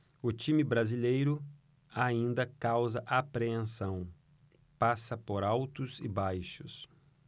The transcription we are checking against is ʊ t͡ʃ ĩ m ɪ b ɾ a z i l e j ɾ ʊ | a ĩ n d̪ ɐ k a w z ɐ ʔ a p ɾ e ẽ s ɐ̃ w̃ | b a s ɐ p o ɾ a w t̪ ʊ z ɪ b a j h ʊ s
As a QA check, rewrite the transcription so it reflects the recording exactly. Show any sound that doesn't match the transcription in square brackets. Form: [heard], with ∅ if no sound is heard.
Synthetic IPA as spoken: ʊ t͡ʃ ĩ m ɪ b ɾ a z i l e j ɾ ʊ | a ĩ n d̪ ɐ k a w z ɐ ʔ a p ɾ e ẽ s ɐ̃ w̃ | [p] a s ɐ p o ɾ a w t̪ ʊ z ɪ b a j [ʃ] ʊ s